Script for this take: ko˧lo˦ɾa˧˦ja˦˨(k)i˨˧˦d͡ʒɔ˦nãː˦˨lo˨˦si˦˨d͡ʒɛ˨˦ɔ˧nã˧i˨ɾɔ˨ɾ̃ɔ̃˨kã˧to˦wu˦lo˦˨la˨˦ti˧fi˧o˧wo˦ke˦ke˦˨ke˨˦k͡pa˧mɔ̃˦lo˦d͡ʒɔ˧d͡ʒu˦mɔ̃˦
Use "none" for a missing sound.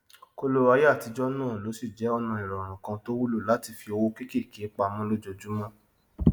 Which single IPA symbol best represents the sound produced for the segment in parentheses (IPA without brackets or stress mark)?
t